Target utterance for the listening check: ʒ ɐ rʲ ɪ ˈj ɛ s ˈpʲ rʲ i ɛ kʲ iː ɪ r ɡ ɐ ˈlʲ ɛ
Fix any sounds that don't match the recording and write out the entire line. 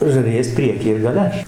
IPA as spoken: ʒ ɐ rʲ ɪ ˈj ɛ s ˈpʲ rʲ i ɛ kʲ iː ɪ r ɡ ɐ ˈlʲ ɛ